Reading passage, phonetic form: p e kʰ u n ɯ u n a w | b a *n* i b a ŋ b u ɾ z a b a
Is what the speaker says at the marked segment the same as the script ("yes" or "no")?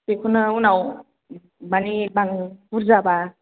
yes